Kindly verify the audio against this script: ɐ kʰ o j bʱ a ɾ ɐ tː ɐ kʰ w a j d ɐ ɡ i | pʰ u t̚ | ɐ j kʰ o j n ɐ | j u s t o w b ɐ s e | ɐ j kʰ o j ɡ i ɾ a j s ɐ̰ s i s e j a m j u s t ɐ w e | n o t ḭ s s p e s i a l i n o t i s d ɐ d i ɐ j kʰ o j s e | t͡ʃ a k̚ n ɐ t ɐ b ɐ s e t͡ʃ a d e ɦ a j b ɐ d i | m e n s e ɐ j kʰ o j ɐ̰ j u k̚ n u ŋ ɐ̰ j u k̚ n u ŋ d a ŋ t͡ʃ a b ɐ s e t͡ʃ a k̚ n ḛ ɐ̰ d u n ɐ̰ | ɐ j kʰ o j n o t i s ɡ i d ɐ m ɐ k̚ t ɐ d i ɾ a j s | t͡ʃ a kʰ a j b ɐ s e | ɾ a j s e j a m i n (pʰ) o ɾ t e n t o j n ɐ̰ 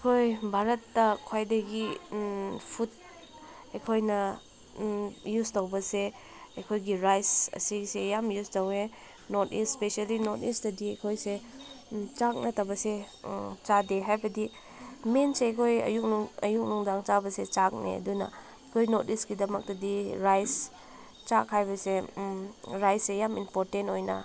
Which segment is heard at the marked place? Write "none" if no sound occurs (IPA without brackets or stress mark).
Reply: p